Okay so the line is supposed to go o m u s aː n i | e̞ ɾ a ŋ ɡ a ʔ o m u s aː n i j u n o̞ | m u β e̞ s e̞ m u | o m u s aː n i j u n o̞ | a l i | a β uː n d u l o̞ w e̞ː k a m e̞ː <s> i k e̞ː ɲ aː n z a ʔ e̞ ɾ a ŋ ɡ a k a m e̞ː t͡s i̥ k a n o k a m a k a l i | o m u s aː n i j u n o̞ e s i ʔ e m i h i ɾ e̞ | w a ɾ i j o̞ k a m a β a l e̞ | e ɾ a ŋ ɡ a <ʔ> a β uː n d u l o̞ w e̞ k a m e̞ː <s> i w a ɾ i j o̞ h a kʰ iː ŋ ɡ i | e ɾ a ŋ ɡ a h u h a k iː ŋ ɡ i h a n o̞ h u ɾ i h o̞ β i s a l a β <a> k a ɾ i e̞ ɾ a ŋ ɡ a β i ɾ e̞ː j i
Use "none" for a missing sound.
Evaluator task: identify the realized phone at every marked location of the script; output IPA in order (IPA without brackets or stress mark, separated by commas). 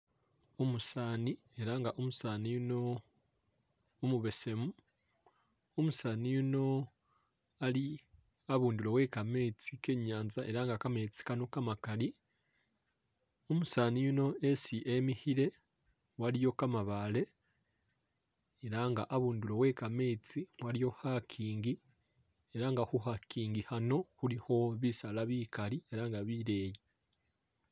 t͡s, ʔ, t͡s, i